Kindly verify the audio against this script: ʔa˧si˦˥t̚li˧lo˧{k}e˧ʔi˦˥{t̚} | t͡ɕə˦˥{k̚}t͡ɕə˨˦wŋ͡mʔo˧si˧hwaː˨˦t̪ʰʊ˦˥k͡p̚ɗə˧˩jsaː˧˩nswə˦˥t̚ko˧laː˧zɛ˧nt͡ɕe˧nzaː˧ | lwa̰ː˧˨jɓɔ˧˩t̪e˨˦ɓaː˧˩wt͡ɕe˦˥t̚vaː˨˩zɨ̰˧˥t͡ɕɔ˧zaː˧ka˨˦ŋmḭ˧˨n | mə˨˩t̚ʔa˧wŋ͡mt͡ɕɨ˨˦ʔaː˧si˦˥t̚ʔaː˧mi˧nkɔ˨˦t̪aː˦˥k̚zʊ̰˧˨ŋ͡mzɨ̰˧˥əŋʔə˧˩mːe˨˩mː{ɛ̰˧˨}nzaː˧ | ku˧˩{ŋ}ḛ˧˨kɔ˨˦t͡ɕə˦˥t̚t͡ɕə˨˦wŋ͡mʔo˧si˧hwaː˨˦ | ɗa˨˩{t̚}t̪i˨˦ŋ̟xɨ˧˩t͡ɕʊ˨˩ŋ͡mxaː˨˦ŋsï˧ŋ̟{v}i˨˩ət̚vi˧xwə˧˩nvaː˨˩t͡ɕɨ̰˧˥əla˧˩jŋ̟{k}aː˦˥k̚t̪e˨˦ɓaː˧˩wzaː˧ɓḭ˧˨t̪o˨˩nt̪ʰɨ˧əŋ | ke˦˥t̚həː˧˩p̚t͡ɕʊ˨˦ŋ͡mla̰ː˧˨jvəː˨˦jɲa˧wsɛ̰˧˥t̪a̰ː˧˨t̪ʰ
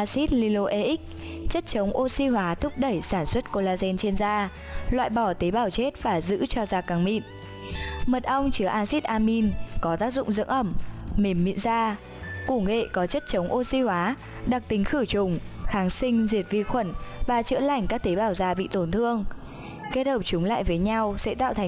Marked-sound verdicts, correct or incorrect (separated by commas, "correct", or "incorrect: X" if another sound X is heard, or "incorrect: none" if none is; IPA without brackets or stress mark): incorrect: ʔ, incorrect: k̚, incorrect: t̚, incorrect: ḭ˧˨, correct, incorrect: k̚, incorrect: z, correct